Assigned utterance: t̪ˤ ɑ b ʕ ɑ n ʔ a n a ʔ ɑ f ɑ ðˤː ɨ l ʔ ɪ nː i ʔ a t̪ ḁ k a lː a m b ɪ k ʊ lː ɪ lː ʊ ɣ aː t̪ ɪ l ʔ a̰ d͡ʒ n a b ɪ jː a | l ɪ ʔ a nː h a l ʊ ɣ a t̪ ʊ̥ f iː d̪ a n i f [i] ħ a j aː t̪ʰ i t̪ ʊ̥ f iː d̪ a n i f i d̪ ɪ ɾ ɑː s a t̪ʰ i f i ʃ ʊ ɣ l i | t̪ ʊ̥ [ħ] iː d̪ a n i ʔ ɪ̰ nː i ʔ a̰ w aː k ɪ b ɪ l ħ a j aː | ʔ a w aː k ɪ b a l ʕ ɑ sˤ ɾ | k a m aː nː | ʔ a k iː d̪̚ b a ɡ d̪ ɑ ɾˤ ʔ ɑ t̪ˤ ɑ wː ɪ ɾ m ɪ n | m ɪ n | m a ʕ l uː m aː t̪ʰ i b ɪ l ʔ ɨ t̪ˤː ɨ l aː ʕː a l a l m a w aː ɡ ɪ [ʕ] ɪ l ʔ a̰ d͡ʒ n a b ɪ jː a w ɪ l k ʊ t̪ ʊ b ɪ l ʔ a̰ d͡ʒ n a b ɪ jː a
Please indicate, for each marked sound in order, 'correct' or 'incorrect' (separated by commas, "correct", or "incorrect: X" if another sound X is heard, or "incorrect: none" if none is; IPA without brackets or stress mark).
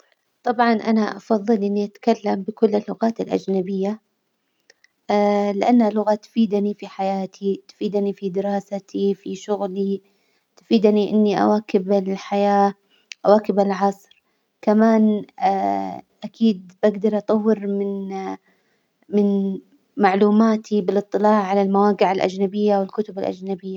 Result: correct, incorrect: f, correct